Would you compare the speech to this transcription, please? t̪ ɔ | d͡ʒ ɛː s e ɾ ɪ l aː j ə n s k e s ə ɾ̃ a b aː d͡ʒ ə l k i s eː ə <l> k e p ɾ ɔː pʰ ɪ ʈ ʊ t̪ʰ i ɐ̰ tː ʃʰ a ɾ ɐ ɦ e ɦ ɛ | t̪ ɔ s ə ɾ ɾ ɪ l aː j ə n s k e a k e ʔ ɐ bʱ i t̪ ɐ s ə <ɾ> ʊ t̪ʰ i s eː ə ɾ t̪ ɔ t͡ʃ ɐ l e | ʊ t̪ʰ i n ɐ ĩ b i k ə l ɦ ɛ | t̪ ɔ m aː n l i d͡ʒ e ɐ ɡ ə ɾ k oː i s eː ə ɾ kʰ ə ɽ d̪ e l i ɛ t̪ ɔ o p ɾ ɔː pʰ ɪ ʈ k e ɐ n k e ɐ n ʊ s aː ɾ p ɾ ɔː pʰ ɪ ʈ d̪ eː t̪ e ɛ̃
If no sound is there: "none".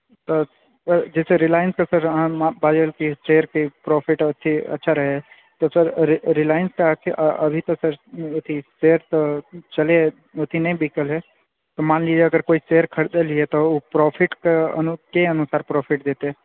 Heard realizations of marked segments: ɾ, ɾ

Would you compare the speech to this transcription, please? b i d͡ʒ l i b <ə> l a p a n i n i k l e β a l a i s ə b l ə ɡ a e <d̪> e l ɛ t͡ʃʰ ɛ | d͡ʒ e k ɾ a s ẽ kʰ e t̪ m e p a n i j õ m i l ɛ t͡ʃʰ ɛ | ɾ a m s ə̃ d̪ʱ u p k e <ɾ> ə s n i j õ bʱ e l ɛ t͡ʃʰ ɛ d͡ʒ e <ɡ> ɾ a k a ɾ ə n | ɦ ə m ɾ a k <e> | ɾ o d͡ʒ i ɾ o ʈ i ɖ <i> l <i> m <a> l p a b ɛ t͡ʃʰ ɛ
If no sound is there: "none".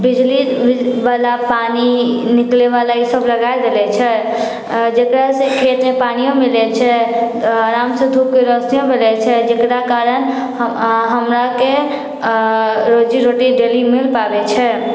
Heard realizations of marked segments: a, d̪, ɾ, k, e, e, i, i

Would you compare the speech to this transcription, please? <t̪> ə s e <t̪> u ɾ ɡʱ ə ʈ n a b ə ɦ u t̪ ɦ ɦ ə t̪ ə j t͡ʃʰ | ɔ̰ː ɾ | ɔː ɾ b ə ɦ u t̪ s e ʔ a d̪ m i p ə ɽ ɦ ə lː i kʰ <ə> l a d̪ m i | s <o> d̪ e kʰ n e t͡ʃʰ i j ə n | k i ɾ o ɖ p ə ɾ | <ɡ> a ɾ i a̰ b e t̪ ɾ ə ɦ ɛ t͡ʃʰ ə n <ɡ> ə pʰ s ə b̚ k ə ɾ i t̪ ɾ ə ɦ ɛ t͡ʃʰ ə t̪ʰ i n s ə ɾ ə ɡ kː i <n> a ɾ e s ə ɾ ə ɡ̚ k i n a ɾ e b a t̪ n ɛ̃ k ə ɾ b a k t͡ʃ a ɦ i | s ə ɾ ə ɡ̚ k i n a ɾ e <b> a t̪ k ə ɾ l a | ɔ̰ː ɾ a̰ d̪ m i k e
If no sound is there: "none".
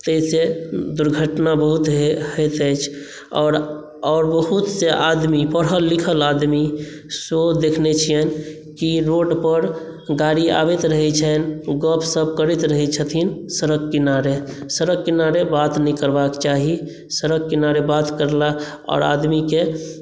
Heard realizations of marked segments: t̪, d̪, ə, o, ɡ, ɡ, n, b

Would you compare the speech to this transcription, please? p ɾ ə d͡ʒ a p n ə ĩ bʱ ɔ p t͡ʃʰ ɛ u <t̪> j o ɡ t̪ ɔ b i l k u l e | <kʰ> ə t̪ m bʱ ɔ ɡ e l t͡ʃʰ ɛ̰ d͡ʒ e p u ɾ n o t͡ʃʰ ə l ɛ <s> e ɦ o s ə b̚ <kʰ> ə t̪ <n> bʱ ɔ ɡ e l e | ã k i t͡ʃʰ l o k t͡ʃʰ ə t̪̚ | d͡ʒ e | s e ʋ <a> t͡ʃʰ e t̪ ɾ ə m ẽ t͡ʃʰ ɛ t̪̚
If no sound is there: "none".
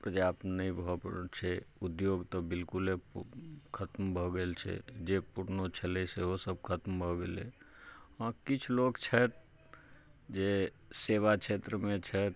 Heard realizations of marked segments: d̪, kʰ, s, kʰ, m, a

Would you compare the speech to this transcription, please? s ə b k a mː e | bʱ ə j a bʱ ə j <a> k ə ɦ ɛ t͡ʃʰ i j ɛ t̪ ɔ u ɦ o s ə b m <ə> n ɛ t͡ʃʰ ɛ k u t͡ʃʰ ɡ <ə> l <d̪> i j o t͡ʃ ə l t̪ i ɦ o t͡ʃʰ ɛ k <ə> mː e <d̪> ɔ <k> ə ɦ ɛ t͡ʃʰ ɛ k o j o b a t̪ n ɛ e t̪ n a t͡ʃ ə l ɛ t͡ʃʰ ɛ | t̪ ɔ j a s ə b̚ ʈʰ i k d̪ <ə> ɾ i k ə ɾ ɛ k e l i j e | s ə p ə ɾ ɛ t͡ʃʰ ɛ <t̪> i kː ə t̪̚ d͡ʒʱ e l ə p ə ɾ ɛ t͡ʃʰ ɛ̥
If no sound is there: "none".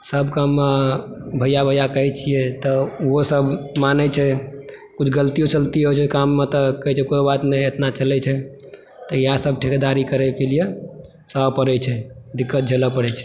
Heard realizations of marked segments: a, a, ə, t̪, a, t̪, k, a, d̪

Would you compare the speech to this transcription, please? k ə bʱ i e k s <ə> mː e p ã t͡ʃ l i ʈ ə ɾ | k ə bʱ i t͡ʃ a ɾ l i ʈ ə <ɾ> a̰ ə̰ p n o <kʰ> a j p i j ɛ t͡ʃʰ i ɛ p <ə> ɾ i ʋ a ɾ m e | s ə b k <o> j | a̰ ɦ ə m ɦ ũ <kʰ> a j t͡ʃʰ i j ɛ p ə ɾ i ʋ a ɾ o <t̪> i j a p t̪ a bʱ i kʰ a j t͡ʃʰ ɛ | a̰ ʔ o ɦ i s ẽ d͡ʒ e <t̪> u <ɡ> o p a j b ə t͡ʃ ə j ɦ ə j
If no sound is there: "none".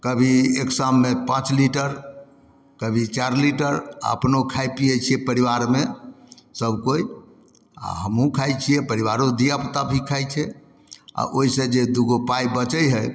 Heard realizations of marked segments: a, ɾ, kʰ, ə, o, kʰ, d̪, d̪, ɡ

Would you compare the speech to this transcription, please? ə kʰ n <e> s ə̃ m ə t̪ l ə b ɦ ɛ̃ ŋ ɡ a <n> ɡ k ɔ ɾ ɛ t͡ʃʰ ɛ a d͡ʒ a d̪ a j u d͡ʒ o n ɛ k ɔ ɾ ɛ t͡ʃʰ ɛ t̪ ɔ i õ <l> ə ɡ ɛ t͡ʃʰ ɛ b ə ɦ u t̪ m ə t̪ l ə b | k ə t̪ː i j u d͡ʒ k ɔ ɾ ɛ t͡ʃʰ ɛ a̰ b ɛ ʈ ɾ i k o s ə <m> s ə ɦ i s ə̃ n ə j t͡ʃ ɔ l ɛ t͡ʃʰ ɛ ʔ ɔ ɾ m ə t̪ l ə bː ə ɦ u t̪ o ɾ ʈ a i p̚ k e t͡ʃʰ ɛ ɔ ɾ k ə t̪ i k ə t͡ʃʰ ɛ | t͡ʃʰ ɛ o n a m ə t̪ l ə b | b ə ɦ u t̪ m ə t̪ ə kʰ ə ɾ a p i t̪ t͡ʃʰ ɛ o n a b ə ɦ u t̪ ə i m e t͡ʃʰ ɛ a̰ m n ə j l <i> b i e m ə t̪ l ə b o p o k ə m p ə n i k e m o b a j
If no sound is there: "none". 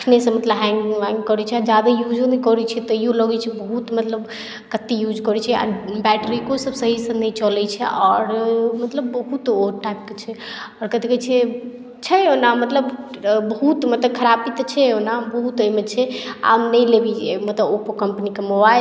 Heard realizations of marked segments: e, ŋ, l, b, e

